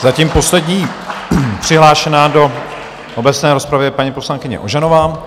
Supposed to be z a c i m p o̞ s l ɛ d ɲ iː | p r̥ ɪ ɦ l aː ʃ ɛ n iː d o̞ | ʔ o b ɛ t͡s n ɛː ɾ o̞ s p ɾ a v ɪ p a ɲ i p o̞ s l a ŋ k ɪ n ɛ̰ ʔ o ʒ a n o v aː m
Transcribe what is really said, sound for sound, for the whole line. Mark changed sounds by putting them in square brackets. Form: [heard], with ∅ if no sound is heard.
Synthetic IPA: z a c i m p o̞ s l ɛ d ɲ iː | p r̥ ɪ ɦ l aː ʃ ɛ n [aː] d o̞ | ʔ o b ɛ t͡s n ɛː ɾ o̞ s p ɾ a v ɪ p a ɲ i p o̞ s l a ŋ k ɪ [ɲ] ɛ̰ ʔ o ʒ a n o v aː m